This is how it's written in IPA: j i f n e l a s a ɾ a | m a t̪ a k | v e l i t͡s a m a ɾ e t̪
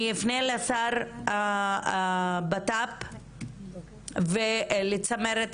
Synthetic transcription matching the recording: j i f n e l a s a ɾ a | b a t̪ a p | v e l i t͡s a m e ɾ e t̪